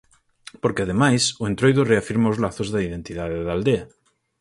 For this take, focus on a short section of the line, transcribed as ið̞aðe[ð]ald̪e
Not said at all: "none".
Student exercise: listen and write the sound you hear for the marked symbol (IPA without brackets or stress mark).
ð